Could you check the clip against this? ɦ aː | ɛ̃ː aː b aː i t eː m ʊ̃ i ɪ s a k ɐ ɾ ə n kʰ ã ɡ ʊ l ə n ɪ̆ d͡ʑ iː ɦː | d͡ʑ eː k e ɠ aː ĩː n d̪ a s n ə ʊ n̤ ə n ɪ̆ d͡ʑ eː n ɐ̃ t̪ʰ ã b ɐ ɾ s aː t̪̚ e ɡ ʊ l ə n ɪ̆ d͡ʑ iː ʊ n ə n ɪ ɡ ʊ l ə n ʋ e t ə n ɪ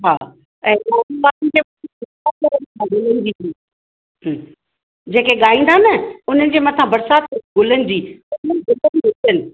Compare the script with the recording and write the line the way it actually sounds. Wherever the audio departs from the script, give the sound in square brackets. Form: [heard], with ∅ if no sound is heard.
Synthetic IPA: ɦ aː | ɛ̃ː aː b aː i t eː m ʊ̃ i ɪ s a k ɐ ɾ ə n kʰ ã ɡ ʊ l ə n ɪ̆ d͡ʑ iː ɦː | d͡ʑ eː k e ɠ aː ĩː n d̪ a [∅] n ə ʊ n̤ ə n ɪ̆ d͡ʑ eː [m] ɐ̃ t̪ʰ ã b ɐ ɾ s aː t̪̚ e ɡ ʊ l ə n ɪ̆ d͡ʑ iː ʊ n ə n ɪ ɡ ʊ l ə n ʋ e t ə n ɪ